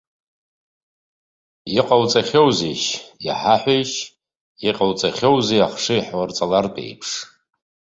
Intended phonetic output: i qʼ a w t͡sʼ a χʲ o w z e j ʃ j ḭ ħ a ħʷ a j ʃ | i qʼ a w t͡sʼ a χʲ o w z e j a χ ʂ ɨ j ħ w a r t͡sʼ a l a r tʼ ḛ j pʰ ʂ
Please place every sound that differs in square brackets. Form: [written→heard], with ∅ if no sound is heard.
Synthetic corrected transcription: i qʼ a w t͡sʼ a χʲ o w z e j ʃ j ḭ ħ a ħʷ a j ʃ | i qʼ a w t͡sʼ a χʲ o w z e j a χ ʂ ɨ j ħ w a r t͡sʼ a l a r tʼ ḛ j pʰ ʂ